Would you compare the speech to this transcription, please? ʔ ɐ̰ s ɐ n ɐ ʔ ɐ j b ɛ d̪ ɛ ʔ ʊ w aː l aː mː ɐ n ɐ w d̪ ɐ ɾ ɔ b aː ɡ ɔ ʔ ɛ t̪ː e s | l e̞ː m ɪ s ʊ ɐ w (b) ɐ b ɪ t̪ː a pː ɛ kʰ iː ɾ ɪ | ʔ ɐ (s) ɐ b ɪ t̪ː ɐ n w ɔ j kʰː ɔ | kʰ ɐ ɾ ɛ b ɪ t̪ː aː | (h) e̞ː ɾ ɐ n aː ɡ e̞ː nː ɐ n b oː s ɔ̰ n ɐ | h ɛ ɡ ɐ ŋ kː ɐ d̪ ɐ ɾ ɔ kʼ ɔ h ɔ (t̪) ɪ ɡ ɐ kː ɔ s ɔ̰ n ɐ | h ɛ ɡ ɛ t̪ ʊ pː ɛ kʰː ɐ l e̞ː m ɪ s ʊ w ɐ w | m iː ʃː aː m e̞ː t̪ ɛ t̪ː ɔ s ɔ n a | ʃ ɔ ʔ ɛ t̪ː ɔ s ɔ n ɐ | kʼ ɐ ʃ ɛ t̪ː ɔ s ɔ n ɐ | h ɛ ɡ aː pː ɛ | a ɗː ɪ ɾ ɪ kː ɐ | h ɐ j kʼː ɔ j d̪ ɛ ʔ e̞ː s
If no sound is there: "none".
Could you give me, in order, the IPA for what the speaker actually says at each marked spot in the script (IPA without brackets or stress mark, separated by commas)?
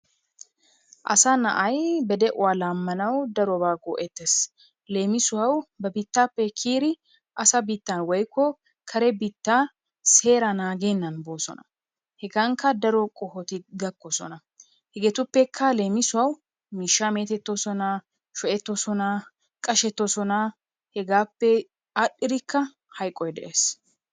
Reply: b, s, s, t̪